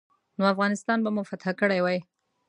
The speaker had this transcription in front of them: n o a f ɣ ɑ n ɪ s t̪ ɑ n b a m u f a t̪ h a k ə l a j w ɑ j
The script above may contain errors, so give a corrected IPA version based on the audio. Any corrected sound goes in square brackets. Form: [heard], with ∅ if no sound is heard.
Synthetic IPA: n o a f ɣ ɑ n ɪ s t̪ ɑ n b a m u f a t̪ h a k ə [ɽ] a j w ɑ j